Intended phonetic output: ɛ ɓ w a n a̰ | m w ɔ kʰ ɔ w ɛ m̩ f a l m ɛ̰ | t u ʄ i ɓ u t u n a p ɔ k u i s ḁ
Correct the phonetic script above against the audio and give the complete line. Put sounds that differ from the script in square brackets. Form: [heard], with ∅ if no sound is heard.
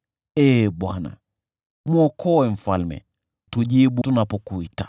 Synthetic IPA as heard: ɛ ɓ w a n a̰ | m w ɔ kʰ ɔ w ɛ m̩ f a l m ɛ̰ | t u ʄ i ɓ u t u n a p ɔ k u i [t] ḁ